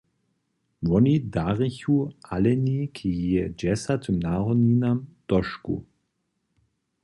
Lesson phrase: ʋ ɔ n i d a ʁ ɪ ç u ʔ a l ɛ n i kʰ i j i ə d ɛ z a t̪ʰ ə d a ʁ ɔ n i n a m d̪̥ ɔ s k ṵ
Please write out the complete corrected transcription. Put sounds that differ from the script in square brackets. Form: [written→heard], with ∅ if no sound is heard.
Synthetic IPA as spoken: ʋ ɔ n i d a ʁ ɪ ç u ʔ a l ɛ n i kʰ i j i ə [d→d͡ʒ] ɛ [z→s] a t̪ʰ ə [d→n] a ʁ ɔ n i n a m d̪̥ ɔ [s→ʃ] k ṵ